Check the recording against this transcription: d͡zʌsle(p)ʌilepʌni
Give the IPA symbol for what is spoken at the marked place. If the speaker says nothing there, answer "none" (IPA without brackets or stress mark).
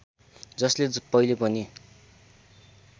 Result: p